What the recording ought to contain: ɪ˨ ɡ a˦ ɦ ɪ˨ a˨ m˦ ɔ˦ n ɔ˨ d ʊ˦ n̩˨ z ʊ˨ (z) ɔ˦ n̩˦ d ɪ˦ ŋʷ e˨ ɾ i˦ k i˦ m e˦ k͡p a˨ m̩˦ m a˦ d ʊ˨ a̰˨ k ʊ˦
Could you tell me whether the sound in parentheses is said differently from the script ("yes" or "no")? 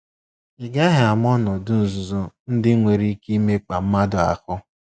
no